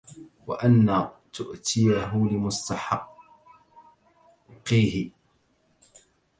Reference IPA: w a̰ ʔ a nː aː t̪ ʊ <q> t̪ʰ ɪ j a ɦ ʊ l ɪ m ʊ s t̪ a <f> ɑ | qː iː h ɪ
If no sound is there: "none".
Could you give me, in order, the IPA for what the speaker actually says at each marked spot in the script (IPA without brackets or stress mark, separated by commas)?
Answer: ʔ, ħ